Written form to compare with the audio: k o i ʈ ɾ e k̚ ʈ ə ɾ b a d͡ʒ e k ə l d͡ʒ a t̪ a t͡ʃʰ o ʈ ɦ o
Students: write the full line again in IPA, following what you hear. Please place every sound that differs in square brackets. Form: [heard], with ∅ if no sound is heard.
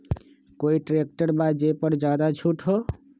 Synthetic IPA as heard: k o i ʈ ɾ e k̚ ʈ ə ɾ b a d͡ʒ e [p] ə [ɾ] d͡ʒ a [d̪] a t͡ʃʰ [u] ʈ ɦ o